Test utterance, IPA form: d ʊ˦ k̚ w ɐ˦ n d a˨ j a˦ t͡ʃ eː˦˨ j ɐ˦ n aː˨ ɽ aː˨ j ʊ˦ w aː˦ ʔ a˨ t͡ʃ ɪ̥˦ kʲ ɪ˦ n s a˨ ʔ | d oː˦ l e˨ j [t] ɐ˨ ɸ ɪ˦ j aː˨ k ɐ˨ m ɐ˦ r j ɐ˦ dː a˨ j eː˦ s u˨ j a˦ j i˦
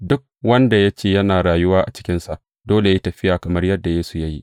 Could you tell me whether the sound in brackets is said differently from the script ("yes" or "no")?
no